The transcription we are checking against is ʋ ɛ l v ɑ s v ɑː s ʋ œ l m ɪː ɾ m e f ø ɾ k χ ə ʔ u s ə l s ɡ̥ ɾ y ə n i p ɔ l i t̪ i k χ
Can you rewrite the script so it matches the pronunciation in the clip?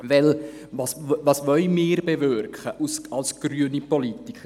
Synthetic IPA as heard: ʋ ɛ l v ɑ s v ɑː s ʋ œ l m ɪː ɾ b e v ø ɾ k χ ə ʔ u s ɑ l s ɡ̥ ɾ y ə n i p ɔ l i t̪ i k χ